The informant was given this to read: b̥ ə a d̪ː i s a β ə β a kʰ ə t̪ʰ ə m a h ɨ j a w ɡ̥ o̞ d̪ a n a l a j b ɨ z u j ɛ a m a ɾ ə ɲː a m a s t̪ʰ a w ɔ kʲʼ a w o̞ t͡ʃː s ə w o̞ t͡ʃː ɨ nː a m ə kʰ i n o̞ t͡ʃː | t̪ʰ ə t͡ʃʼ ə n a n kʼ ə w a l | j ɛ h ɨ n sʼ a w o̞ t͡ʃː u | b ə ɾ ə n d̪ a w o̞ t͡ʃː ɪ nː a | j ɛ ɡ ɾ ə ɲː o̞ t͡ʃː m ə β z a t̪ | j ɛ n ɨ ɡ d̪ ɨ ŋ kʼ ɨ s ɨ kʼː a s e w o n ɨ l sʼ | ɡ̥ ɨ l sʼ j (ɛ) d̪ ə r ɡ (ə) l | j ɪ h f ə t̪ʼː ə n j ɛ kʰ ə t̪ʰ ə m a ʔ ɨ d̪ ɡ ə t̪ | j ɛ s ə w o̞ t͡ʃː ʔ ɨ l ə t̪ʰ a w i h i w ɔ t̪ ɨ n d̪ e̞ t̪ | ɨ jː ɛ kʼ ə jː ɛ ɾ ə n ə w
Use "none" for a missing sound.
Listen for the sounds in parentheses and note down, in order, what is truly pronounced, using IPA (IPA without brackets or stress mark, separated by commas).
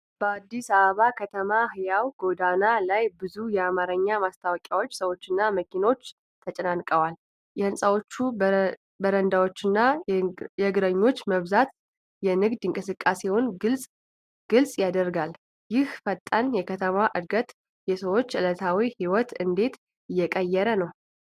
a, a